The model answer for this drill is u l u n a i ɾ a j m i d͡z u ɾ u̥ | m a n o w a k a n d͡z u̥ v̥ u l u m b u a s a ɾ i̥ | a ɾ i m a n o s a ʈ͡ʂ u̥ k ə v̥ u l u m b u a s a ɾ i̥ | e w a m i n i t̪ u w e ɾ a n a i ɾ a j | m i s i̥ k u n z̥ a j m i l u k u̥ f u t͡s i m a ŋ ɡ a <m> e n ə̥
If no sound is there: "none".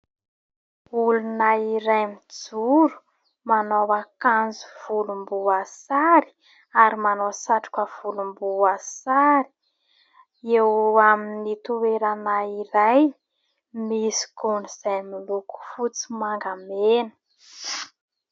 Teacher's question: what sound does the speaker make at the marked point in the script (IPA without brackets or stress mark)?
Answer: m